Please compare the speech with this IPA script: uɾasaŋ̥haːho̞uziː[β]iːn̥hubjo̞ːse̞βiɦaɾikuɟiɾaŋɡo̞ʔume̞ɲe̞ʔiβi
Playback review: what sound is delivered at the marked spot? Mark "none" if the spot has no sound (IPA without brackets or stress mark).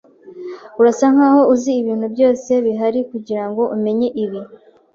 β